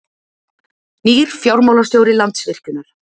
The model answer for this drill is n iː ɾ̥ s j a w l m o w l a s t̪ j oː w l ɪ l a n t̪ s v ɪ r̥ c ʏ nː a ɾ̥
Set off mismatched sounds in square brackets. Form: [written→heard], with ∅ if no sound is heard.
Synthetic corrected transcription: n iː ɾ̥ [s→f] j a w [l→ɾ] m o w l a s t̪ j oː w [l→ɾ] ɪ l a n t̪ s v ɪ r̥ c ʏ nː a ɾ̥